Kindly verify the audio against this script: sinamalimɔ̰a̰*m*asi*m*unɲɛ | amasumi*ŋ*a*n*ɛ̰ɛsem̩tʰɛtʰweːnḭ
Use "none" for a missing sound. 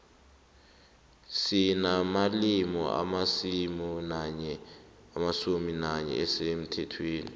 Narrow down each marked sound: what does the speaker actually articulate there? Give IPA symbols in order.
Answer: m, m, n, ɲ

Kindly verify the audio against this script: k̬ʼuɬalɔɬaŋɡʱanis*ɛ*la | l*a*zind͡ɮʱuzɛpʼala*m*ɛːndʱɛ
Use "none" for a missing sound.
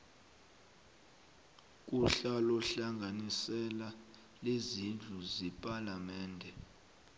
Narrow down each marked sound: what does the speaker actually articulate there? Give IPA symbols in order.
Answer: ɛ, e, m

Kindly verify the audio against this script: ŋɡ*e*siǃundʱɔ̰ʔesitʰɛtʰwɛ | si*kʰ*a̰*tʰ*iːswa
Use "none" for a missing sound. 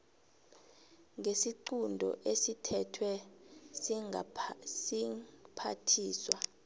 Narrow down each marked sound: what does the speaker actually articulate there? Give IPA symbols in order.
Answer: e, pʰ, tʰ

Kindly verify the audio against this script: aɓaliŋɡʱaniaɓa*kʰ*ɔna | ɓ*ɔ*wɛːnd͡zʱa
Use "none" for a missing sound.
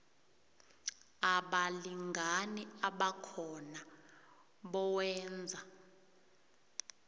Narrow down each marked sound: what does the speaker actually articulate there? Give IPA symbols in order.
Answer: kʰ, ɔ

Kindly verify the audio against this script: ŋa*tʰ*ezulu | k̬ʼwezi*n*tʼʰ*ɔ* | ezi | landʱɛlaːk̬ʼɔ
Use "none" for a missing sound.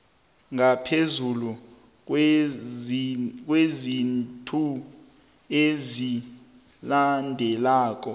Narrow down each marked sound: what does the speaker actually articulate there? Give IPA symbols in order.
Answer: pʰ, n, u

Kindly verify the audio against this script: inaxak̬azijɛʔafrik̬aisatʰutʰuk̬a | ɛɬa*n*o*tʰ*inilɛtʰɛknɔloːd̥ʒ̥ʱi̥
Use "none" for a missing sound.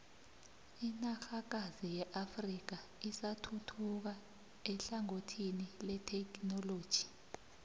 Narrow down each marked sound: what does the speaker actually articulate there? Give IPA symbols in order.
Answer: ŋ, tʰ

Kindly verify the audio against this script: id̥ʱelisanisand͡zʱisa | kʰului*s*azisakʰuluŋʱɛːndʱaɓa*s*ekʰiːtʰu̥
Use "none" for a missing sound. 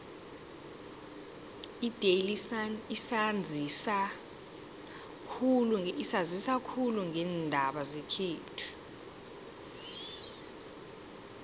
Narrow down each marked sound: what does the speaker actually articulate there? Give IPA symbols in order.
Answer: s, z

